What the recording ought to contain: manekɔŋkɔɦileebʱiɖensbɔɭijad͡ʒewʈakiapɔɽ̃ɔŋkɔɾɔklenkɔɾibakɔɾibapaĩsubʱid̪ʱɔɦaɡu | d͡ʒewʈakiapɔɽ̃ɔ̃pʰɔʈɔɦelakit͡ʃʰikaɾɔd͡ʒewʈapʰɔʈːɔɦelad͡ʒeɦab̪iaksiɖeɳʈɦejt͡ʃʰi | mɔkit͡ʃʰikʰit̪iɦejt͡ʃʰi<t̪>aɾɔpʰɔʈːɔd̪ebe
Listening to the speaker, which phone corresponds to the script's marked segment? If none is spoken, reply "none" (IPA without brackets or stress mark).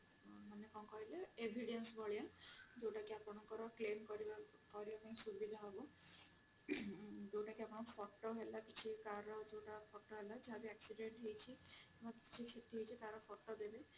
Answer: t̪